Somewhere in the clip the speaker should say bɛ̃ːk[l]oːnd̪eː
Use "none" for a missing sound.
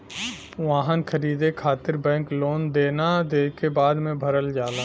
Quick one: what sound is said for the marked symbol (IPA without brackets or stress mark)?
l